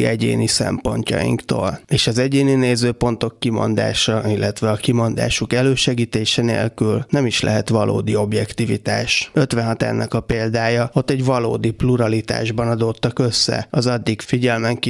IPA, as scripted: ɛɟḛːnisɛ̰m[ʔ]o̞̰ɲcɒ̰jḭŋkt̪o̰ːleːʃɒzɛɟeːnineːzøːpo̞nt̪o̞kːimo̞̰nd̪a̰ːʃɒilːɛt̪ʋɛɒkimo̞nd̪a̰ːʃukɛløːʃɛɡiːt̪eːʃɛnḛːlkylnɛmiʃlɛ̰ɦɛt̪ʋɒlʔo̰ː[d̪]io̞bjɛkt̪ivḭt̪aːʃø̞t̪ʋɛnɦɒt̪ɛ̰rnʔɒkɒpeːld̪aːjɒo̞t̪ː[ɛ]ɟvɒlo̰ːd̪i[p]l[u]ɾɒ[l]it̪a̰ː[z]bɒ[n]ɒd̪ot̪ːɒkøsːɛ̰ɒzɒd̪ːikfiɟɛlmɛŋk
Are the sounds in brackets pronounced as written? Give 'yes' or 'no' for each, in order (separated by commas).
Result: no, yes, yes, yes, yes, yes, no, yes